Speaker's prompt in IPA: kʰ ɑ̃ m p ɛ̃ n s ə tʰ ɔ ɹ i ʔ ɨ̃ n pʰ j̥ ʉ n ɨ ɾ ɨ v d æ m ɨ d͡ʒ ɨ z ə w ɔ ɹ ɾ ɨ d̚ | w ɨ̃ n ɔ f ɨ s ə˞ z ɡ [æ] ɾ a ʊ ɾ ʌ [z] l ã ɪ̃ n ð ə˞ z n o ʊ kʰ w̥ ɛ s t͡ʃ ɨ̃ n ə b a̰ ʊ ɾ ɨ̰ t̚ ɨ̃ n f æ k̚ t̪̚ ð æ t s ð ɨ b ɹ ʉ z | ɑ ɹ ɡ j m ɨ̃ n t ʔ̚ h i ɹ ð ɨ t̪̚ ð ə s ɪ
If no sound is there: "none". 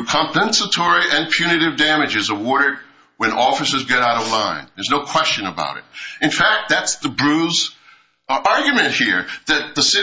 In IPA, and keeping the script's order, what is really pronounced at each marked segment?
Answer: ɛ, v

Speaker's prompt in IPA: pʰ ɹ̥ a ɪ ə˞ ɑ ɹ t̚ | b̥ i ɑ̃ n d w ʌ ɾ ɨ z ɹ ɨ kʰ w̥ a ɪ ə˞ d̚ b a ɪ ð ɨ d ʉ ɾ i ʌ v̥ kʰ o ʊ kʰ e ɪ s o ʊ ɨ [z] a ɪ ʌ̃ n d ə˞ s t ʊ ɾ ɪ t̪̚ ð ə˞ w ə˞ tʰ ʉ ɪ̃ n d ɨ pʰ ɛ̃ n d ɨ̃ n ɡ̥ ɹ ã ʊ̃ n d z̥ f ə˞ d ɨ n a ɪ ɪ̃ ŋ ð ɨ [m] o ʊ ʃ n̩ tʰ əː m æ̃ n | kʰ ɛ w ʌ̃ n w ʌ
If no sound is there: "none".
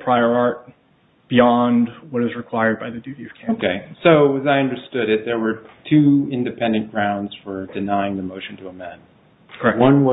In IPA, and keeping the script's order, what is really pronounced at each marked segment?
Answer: z, m

